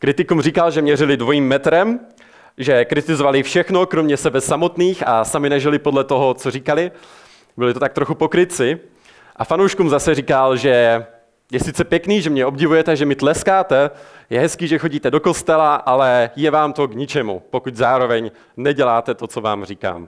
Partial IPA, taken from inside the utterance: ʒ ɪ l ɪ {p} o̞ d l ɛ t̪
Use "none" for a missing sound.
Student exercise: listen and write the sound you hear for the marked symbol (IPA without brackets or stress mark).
p